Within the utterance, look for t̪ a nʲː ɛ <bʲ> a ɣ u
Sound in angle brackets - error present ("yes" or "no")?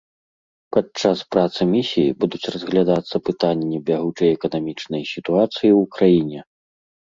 no